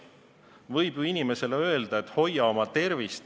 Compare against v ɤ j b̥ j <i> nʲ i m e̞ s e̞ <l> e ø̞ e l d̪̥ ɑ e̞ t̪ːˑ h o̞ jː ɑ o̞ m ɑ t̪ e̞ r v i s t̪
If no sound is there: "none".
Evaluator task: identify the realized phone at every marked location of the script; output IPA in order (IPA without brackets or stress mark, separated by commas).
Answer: i, l